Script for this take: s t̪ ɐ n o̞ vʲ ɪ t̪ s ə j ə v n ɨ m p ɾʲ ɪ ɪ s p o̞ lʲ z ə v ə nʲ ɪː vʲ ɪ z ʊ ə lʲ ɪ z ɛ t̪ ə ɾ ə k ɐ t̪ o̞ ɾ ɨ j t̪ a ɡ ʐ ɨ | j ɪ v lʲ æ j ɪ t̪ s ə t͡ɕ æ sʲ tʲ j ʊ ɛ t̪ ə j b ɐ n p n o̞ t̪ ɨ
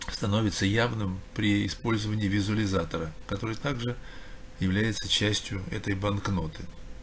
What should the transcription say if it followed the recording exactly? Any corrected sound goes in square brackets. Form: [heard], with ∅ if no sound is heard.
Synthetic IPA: s t̪ ɐ n o̞ vʲ ɪ t̪ s ə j [a] v n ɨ m p ɾʲ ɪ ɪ s p o̞ lʲ z ə v ə nʲ ɪː vʲ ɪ z ʊ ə lʲ ɪ z [a] t̪ ə ɾ ə k ɐ t̪ o̞ ɾ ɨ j t̪ a ɡ ʐ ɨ | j ɪ v lʲ æ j ɪ t̪ s ə t͡ɕ æ sʲ tʲ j ʊ ɛ t̪ ə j b ɐ n [k] n o̞ t̪ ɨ